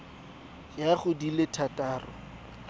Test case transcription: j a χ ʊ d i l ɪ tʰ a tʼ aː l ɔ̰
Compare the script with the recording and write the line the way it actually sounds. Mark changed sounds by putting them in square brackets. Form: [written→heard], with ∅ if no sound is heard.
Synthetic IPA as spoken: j a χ ʊ d i l ɪ tʰ a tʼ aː [l→r] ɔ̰